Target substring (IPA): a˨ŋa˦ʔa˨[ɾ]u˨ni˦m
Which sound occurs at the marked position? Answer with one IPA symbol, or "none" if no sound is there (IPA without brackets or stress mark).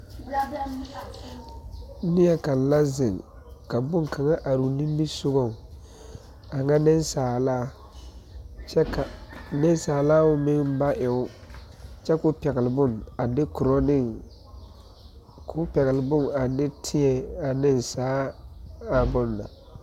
ɾ